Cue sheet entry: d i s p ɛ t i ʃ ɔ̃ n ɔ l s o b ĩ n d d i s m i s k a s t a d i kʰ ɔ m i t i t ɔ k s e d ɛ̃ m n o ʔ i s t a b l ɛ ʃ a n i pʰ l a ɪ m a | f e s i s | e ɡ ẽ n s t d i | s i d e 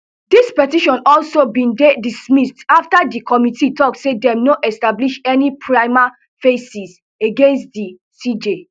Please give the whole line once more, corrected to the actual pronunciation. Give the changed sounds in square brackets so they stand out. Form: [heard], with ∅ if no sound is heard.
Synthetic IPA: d i s p ɛ t i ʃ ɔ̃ n ɔ l s o b ĩ n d d i s m i s [t] a [f] t a d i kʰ ɔ m i t i t ɔ k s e d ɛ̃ m n o ʔ [ɛ] s t a b l [i] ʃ [ɛ] n i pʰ [ɹ] a ɪ m a | f e s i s | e ɡ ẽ n s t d i | s i [d͡ʒ] e